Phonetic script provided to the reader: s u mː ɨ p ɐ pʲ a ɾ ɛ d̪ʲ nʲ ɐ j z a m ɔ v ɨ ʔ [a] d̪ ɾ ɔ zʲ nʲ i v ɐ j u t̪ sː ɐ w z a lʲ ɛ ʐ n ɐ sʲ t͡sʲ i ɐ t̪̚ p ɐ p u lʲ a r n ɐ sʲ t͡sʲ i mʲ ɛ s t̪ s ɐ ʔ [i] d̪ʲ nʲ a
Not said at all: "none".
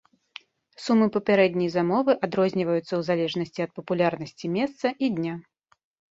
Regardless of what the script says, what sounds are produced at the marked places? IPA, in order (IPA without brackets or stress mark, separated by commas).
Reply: a, i